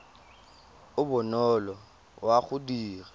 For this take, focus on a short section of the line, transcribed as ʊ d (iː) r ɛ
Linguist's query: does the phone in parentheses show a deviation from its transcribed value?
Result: no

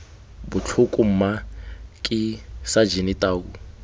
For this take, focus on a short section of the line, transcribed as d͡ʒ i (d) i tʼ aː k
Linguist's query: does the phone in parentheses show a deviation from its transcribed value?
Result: yes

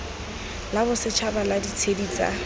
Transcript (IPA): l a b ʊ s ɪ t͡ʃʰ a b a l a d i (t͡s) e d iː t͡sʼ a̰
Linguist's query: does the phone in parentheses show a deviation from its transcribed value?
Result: yes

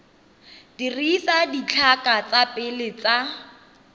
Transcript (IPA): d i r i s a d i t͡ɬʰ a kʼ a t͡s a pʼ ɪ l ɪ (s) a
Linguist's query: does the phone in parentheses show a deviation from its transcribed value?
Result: yes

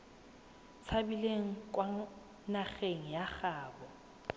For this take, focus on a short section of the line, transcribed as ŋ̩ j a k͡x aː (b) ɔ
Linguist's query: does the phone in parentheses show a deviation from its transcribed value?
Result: no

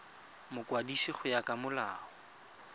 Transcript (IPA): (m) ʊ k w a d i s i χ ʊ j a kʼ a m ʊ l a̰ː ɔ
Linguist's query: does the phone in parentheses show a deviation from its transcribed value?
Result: no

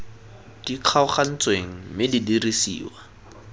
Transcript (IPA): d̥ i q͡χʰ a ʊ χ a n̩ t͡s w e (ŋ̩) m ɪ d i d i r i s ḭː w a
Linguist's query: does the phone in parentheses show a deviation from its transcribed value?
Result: no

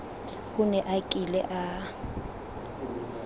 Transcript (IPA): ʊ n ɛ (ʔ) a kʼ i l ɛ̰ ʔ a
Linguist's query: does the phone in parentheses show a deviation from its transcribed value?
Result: no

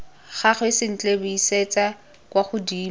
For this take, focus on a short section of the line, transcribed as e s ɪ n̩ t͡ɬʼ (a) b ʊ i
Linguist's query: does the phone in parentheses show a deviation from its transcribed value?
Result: yes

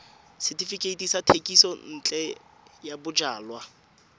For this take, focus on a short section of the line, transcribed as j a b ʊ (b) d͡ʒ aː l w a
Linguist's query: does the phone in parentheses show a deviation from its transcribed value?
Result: yes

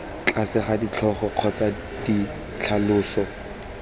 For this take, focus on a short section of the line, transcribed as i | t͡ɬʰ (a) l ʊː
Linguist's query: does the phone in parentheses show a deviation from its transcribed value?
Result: no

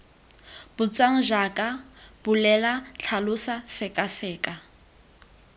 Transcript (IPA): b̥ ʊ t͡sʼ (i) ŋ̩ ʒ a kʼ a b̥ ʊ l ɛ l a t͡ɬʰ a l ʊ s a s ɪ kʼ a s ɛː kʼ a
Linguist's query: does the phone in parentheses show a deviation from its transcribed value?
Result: yes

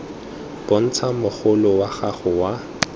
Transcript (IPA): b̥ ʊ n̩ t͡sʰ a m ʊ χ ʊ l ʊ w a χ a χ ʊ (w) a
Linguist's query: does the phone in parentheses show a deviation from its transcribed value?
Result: no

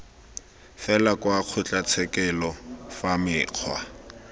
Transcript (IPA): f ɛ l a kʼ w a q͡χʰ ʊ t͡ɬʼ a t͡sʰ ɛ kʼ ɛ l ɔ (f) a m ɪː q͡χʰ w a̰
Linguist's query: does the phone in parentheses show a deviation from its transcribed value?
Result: no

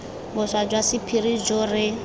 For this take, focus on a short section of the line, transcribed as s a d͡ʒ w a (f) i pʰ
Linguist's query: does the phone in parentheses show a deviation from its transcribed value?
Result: yes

